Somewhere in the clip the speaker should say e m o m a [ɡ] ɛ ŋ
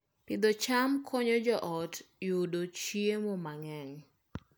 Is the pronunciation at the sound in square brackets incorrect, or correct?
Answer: incorrect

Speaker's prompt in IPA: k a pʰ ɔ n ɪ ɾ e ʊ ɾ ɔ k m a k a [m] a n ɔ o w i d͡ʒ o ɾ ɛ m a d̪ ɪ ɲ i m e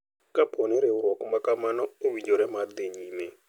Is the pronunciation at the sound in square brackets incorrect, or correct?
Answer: correct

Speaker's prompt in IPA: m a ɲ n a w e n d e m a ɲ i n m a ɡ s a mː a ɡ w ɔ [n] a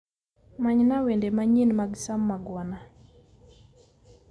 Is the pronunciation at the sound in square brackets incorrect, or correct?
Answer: correct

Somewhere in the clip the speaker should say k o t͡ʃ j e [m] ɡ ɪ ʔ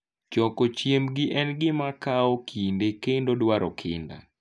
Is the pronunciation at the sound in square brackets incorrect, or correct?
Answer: correct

